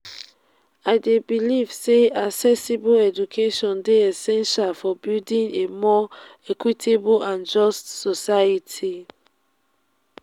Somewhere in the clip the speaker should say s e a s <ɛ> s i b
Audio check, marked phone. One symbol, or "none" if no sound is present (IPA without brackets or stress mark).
ɛ